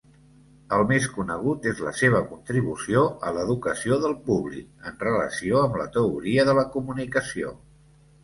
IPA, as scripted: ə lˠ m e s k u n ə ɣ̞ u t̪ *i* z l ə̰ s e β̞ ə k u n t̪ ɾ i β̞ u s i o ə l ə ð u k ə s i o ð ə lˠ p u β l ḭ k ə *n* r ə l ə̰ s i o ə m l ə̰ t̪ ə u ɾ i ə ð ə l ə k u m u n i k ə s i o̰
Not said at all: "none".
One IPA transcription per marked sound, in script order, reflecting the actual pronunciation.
e, n

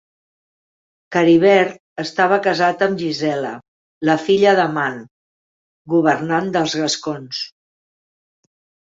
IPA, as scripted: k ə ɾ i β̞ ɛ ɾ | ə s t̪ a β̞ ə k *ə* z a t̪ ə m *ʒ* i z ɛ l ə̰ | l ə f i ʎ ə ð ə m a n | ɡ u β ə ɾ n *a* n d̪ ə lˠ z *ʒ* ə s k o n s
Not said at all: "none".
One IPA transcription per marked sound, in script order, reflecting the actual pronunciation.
ə, ʒ, a, ɣ

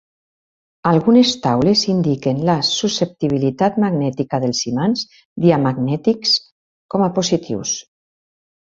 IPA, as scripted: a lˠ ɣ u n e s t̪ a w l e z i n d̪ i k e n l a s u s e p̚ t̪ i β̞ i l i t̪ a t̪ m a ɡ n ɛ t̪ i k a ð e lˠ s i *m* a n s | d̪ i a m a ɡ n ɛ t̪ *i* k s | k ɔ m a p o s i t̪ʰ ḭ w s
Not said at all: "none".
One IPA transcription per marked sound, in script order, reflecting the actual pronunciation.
m, i

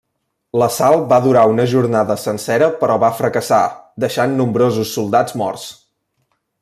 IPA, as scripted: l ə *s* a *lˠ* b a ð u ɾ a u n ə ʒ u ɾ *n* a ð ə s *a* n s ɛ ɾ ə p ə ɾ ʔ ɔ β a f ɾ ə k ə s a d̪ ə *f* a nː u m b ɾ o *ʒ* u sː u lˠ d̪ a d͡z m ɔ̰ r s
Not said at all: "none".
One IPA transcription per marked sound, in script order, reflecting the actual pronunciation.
s, lˠ, n, ə, ʃ, z

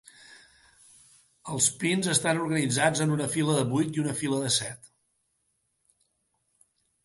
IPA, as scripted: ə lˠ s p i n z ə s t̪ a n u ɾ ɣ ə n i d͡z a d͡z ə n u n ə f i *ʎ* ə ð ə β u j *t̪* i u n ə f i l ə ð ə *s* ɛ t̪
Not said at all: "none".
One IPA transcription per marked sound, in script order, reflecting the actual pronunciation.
l, t̪, s

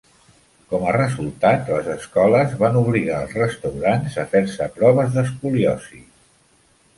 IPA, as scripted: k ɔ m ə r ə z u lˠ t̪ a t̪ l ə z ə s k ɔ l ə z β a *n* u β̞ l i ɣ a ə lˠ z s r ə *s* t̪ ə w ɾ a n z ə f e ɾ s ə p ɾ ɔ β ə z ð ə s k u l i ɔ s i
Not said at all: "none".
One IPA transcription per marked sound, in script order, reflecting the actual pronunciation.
n, s

